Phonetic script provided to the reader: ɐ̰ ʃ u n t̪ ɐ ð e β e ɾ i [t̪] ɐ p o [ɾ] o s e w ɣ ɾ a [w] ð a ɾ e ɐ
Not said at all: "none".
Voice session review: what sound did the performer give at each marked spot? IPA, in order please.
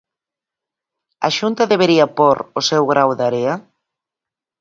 none, ɾ, w

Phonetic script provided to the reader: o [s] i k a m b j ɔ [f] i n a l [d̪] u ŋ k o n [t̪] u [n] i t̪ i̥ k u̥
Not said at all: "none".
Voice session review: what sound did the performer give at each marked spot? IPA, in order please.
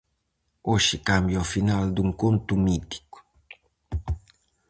ʃ, f, d̪, t̪, m

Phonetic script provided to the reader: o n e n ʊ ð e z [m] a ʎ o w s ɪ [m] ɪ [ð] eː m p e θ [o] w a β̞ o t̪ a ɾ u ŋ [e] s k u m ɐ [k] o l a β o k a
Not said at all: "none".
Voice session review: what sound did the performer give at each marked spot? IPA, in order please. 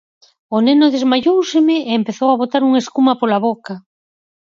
m, m, none, o, e, p

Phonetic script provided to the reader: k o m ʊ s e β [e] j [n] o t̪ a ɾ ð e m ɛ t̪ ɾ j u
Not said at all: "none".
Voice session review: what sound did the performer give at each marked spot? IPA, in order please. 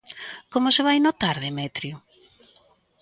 a, n

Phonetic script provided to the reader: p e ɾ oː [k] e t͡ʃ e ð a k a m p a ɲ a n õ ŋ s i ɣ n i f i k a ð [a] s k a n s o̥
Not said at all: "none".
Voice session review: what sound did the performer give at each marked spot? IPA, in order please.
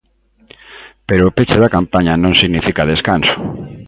p, e

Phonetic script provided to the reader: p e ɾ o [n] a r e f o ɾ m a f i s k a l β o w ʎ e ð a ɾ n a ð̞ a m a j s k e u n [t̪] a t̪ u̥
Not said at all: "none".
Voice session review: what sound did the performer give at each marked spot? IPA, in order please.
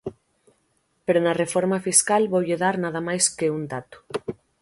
n, d̪

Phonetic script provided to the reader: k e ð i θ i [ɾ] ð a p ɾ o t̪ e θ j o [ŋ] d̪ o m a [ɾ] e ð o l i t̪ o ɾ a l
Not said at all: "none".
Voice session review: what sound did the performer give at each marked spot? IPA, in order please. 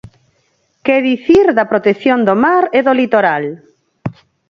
ɾ, n, ɾ

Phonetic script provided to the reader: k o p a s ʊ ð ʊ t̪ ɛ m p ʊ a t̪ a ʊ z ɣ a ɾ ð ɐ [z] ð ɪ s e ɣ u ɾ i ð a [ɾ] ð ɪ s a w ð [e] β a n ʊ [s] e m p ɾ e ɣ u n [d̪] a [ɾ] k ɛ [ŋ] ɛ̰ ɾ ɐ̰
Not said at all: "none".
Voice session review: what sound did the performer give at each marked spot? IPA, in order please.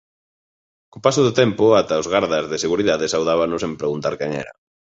z, none, a, s, t̪, ɾ, ŋ

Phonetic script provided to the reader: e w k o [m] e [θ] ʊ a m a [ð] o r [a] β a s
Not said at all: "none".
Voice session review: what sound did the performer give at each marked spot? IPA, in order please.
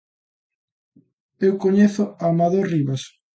ɲ, θ, ð, i

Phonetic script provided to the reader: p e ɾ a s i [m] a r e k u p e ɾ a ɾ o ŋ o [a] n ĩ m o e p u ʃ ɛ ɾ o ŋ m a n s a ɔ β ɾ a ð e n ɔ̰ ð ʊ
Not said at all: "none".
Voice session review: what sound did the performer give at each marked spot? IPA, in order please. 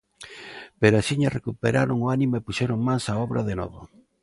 ɲ, a

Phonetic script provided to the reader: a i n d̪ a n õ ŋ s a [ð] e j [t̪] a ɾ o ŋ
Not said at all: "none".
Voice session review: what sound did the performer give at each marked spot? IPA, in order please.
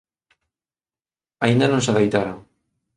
ð, t̪

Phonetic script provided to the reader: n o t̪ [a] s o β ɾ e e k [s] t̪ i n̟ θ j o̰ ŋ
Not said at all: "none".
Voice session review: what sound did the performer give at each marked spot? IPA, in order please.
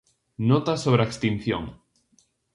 a, s

